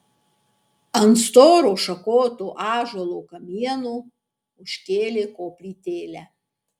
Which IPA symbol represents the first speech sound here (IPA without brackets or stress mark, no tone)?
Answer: ɐ